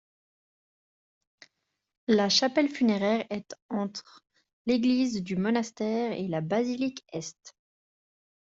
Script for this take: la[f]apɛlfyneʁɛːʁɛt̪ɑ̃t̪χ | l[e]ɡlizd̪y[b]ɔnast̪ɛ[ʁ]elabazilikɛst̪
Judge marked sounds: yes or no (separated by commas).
no, yes, no, yes